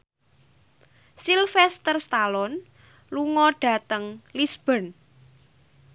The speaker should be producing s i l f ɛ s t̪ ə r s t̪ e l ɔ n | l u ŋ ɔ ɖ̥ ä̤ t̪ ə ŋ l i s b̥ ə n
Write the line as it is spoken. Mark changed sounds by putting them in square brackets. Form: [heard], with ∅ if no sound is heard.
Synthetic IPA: s i l f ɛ s t̪ ə r s t̪ [a] l ɔ n | l u ŋ ɔ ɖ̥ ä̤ t̪ ə ŋ l i s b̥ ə n